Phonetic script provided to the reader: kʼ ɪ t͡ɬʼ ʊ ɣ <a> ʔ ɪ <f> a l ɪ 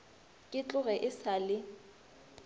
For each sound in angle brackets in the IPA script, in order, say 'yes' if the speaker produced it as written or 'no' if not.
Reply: no, no

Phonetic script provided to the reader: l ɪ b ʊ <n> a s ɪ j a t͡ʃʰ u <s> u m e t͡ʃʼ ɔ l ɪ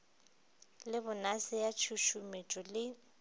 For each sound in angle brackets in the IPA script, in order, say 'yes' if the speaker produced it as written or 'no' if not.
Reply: yes, no

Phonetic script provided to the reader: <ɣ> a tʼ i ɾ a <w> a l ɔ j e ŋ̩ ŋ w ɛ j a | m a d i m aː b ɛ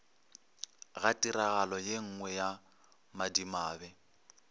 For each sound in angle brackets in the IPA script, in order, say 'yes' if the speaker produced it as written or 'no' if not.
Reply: yes, no

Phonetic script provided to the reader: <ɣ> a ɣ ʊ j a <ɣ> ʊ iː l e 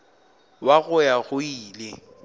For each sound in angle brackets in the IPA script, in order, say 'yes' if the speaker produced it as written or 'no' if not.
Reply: no, yes

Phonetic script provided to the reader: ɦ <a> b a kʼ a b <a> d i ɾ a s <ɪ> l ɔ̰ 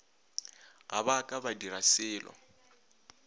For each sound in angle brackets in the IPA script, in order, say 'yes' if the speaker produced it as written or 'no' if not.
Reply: yes, yes, no

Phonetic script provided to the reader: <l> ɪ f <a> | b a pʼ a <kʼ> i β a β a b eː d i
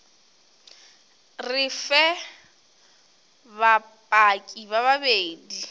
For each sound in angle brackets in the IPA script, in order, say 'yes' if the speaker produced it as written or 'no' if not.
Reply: no, no, yes

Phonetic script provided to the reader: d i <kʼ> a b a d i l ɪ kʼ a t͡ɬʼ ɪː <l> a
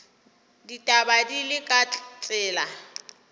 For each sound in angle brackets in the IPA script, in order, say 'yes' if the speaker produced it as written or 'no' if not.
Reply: no, yes

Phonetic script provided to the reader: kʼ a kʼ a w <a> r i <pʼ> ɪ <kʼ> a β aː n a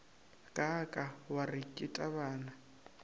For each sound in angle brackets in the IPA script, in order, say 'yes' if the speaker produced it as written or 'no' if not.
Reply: yes, no, no

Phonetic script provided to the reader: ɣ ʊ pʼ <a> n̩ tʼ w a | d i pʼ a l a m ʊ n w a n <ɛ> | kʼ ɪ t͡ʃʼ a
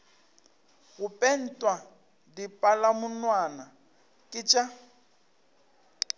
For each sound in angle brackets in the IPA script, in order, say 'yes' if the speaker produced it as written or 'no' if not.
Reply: no, no

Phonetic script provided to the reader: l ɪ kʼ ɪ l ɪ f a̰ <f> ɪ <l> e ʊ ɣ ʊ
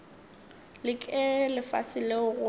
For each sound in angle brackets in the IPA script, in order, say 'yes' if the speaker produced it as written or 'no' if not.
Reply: no, yes

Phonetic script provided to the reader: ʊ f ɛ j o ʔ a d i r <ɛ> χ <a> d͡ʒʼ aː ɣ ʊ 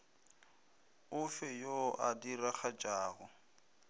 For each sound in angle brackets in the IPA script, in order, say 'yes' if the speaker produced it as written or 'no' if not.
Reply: no, yes

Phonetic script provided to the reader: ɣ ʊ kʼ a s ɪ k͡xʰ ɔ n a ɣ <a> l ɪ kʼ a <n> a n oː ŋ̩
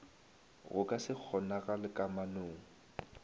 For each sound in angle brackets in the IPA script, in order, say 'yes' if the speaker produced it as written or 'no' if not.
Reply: yes, no

